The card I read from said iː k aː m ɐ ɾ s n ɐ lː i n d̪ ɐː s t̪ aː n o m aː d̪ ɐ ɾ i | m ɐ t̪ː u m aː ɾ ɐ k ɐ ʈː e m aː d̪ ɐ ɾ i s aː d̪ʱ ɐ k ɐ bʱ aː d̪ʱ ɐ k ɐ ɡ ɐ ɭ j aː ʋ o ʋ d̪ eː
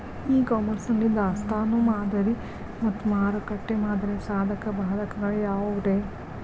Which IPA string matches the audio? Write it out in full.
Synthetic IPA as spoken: iː k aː m ɐ ɾ s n ɐ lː i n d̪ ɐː s t̪ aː n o m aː d̪ ɐ ɾ i | m ɐ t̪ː u m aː ɾ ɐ k ɐ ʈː e m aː d̪ ɐ ɾ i s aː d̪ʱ ɐ k ɐ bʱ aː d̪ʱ ɐ k ɐ ɡ ɐ ɭ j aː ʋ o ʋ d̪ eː